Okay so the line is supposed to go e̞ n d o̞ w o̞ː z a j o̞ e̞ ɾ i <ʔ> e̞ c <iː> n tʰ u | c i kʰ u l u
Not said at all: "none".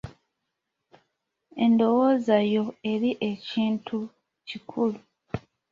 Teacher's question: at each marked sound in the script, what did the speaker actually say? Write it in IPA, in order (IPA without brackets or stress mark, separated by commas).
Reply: ʔ, iː